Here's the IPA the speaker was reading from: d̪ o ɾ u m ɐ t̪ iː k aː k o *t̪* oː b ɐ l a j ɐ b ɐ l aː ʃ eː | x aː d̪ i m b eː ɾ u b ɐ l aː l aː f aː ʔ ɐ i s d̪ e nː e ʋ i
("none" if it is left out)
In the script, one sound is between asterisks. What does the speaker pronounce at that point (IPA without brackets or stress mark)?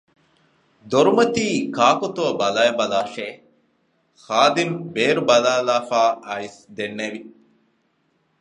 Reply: t̪